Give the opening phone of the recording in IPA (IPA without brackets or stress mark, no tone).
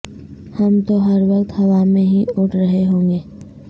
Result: h